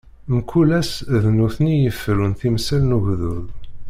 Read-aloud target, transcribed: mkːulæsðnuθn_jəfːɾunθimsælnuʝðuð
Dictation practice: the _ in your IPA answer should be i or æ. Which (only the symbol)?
i